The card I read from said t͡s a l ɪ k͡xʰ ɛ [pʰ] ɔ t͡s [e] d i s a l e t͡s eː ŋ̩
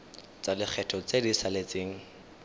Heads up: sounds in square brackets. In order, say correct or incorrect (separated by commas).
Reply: incorrect, correct